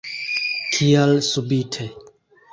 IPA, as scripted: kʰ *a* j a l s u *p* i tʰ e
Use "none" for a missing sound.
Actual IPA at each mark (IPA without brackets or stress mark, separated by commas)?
i, b